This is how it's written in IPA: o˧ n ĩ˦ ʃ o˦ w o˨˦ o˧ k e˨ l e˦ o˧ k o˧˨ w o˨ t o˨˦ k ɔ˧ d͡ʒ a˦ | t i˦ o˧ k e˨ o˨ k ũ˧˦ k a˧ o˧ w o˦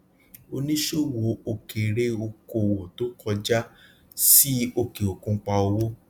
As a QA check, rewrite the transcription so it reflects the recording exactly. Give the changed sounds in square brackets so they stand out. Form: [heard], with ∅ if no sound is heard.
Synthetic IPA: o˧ n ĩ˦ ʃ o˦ w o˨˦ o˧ k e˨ [ɾ] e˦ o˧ k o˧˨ w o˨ t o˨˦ k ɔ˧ d͡ʒ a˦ | [s] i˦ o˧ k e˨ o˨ k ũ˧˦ [k͡p] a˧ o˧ w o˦